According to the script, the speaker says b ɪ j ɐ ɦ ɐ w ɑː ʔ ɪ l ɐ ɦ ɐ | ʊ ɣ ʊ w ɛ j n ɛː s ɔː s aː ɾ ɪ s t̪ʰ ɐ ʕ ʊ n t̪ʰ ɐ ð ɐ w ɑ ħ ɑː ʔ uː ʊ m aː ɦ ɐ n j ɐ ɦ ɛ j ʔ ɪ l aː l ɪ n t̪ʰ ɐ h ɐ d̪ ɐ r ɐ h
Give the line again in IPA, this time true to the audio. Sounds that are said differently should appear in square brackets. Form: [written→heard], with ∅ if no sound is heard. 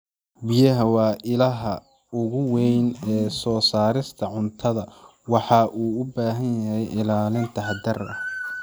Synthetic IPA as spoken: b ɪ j ɐ ɦ ɐ w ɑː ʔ ɪ l ɐ ɦ ɐ | ʊ ɣ ʊ w ɛ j n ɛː s ɔː s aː ɾ ɪ s t̪ʰ ɐ ʕ ʊ n t̪ʰ ɐ ð ɐ w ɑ ħ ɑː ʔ uː ʊ [m→b] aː ɦ ɐ n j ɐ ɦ ɛ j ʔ ɪ l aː l ɪ n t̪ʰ ɐ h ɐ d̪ ɐ r ɐ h